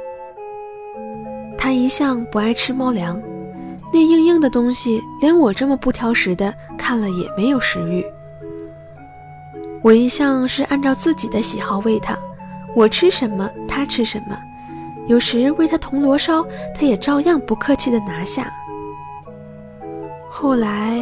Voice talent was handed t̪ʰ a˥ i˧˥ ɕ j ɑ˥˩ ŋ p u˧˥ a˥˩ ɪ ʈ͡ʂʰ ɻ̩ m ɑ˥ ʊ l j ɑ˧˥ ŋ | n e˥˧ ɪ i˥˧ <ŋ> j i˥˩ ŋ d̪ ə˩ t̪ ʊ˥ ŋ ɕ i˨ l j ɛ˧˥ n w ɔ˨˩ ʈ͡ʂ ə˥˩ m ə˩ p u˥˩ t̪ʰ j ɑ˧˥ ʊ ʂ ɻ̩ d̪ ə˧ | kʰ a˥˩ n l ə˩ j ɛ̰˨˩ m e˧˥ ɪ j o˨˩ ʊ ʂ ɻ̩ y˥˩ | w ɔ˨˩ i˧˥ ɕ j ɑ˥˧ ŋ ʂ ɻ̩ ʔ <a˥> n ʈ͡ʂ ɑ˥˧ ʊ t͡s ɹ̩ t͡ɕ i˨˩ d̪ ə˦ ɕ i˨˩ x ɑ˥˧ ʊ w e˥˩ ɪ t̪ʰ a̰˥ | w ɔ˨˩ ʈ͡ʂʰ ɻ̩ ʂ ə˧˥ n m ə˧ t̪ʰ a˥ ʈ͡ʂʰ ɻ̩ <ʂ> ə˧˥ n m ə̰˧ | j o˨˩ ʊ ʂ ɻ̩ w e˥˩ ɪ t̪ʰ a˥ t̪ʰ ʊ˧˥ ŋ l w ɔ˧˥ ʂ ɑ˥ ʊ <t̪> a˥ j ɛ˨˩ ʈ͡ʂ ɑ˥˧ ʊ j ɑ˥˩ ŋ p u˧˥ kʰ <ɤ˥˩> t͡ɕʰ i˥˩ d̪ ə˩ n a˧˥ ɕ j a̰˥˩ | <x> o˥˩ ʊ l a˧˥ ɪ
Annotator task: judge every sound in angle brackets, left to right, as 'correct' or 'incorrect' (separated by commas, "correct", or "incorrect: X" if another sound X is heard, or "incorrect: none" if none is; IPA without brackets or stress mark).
correct, incorrect: a˥˧, correct, incorrect: t̪ʰ, incorrect: ɤ˥˧, correct